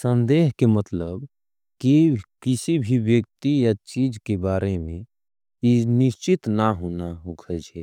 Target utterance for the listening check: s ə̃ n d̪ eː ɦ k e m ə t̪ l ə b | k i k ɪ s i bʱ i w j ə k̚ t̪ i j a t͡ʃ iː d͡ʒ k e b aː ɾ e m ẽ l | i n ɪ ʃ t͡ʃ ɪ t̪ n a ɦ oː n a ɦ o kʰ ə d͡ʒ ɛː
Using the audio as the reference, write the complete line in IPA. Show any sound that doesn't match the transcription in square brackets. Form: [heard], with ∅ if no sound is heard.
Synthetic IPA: s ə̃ n d̪ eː ɦ k e m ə t̪ l ə b | k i k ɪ s i bʱ i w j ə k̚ t̪ i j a t͡ʃ iː d͡ʒ k e b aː ɾ e m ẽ [∅] | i n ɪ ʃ t͡ʃ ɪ t̪ n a ɦ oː n a ɦ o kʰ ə d͡ʒ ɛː